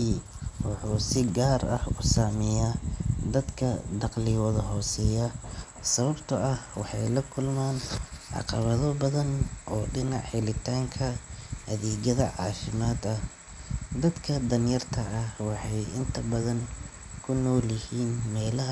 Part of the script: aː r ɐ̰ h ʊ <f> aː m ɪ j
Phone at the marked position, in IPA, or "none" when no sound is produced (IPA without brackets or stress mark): s